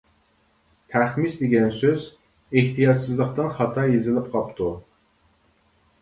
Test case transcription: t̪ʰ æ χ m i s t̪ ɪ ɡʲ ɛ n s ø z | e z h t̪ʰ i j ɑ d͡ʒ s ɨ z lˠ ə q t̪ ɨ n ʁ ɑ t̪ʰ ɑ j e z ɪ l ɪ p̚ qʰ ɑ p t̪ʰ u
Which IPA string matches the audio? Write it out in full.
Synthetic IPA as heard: t̪ʰ æ χ m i s d̪ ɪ ɡʲ ɛ n s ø z | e h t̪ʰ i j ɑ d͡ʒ s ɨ z lˠ ə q t̪ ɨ n χ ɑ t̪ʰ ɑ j e z ɪ l ɪ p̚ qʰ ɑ p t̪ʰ u